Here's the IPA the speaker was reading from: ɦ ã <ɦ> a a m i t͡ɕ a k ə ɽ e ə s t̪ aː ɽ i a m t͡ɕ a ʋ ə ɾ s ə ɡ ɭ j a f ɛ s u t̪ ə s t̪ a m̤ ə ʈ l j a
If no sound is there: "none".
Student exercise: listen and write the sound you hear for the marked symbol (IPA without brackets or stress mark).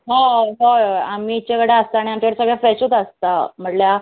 ɦ